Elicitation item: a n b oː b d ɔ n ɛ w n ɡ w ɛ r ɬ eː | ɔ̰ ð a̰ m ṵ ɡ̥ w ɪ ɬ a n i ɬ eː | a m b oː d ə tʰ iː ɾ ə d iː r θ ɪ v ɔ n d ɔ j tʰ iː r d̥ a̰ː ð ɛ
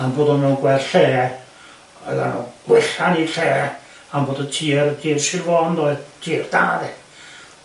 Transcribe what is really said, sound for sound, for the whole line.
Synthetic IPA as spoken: a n b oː d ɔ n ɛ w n ɡ w ɛ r ɬ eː | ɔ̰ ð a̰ n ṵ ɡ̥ w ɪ ɬ a n i ɬ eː | a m b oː d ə tʰ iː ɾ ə d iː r s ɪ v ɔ n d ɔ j tʰ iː r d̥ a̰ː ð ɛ